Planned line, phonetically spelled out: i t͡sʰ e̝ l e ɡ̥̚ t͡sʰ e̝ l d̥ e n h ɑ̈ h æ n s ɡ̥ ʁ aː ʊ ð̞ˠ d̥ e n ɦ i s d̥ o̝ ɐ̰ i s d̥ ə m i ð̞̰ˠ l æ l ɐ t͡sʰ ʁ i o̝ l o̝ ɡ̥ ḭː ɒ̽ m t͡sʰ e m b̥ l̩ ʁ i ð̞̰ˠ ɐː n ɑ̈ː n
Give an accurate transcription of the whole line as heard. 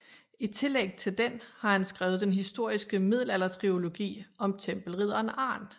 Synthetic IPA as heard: i t͡sʰ e̝ l e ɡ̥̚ t͡sʰ e̝ l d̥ e n h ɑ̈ h æ n s ɡ̥ ʁ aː ʊ ð̞ˠ d̥ e n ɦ i s d̥ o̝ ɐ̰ i s ɡ̥ ə m i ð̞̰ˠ l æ l ɐ t͡sʰ ʁ i o̝ l o̝ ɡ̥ ḭː ɒ̽ m t͡sʰ e m b̥ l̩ ʁ i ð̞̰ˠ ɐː n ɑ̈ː n